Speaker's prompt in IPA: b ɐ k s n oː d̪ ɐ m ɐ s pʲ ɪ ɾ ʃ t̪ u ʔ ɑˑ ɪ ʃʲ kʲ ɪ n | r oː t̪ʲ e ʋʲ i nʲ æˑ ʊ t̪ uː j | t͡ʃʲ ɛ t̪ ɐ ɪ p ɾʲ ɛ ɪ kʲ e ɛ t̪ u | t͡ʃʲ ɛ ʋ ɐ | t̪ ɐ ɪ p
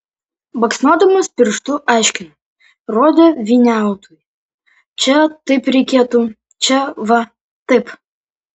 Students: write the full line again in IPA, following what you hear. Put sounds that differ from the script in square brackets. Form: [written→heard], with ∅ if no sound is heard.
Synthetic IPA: b ɐ k s n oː d̪ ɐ m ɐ s pʲ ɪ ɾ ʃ t̪ u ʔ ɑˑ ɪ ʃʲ kʲ ɪ n | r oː [t̪ʲ→d̪ʲ] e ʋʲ i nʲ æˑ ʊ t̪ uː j | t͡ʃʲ ɛ t̪ ɐ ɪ p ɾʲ ɛ ɪ kʲ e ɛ t̪ u | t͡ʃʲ ɛ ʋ ɐ | t̪ ɐ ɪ p